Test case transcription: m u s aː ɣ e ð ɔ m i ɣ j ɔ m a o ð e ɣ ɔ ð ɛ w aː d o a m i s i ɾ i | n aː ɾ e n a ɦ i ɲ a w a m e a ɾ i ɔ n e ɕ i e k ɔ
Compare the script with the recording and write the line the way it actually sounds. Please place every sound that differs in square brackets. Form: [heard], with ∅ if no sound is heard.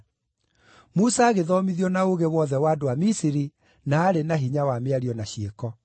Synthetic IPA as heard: m u s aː ɣ e ð ɔ m i [ð] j ɔ [n] a o [ɣ] e [w] ɔ ð ɛ w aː d o a m i s i ɾ i | n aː ɾ e n a ɦ i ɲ a w a m e a ɾ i ɔ n [a] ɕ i e k ɔ